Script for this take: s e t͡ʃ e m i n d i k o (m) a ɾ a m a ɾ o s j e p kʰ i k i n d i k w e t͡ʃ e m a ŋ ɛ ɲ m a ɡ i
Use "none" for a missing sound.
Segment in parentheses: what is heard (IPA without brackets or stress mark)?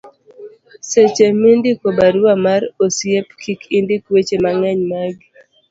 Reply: b